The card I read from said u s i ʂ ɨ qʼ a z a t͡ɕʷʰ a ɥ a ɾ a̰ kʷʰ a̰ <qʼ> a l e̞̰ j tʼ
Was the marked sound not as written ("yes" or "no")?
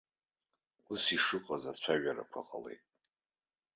no